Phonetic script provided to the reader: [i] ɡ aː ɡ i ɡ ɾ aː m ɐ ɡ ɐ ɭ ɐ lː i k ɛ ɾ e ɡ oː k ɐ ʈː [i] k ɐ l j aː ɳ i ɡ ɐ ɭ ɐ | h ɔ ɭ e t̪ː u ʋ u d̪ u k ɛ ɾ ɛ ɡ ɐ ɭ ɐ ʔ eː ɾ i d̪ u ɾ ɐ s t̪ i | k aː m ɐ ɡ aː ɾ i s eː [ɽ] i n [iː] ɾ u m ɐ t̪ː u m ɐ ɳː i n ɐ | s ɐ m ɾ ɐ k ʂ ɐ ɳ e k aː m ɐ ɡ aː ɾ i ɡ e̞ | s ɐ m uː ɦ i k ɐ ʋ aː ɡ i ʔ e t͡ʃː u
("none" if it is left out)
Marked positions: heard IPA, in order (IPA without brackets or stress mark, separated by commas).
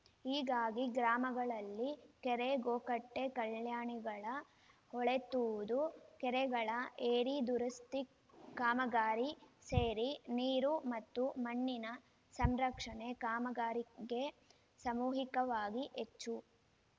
iː, e, ɾ, iː